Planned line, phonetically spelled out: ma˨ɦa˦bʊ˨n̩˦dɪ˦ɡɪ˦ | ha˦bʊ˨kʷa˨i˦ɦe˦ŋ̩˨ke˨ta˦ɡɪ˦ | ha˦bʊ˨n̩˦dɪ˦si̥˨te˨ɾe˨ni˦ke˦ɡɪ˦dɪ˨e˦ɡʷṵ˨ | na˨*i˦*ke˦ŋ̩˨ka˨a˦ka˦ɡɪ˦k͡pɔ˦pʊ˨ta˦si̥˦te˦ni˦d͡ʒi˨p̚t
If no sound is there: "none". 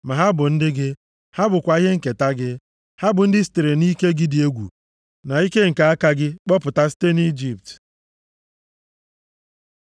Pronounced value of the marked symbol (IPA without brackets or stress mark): i˦